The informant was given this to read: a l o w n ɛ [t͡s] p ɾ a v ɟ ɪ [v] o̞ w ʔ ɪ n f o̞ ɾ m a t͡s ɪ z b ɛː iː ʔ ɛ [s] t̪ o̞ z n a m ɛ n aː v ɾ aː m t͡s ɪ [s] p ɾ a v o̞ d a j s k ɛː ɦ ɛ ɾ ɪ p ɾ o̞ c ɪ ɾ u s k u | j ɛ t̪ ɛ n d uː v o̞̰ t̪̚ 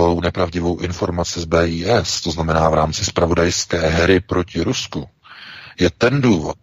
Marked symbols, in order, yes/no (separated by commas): no, yes, yes, yes